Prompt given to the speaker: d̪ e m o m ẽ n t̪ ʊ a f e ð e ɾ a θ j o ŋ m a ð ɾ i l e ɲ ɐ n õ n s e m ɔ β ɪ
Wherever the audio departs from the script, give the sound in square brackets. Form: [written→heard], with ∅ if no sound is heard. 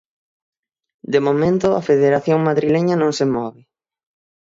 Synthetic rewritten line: d̪ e m o m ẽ n t̪ ʊ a f e ð e ɾ a θ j o ŋ m a ð ɾ i l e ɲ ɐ n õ [n→ŋ] s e m ɔ β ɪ